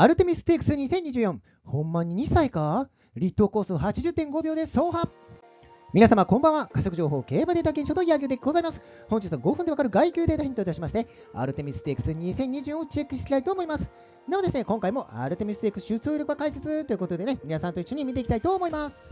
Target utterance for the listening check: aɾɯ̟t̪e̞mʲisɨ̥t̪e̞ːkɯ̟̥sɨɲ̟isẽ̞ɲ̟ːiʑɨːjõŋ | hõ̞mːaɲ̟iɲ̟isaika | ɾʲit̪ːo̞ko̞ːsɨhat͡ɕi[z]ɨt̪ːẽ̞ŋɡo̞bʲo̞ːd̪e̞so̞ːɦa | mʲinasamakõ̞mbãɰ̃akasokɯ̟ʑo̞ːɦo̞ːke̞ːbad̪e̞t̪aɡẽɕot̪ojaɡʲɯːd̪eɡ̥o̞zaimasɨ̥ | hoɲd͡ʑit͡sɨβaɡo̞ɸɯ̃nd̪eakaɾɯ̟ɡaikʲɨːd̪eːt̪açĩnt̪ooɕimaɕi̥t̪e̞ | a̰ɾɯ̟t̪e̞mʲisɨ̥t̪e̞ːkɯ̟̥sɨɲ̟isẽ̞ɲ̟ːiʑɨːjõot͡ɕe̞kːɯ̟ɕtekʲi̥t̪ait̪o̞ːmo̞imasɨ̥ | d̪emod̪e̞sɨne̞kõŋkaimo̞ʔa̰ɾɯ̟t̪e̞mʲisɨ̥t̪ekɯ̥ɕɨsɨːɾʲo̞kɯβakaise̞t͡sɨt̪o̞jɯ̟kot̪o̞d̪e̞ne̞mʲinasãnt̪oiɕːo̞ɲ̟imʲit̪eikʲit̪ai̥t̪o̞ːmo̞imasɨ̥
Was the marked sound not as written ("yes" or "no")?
yes